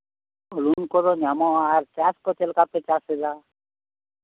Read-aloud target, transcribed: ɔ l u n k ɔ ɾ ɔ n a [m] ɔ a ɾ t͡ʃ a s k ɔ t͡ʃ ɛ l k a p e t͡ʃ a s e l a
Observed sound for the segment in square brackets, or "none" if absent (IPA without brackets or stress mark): m